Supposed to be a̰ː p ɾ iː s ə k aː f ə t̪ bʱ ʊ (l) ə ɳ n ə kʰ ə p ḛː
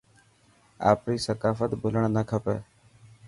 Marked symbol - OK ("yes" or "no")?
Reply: yes